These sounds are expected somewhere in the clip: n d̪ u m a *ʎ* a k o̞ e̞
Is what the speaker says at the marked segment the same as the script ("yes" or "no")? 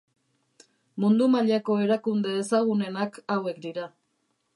yes